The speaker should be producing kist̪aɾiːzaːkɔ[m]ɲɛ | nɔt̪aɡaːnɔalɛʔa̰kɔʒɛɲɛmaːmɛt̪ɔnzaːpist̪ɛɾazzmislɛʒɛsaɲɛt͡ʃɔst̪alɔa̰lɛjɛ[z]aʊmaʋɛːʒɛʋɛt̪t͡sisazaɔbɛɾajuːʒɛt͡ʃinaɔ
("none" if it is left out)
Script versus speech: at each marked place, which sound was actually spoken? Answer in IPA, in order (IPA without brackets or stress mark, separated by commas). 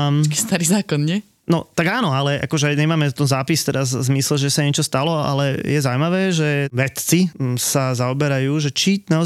n, z